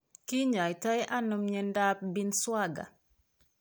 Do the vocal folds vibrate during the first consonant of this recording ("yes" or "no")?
no